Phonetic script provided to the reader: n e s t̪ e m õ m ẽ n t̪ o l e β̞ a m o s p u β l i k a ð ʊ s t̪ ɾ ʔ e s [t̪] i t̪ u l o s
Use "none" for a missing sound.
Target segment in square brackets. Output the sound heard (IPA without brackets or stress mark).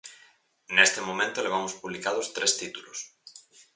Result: t̪